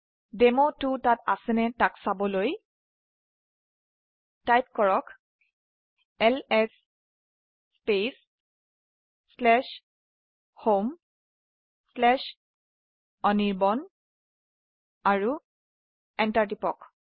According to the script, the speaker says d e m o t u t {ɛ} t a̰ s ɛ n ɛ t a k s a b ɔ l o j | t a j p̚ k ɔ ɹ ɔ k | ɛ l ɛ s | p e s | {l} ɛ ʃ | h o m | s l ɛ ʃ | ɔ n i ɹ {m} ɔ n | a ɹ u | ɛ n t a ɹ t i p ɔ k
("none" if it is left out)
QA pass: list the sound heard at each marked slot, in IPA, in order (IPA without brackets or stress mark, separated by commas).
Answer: a, l, b